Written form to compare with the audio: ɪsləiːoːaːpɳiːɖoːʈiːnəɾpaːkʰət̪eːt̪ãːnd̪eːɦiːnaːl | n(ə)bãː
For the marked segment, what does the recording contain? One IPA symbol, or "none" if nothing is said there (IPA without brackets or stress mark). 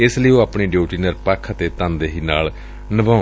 ə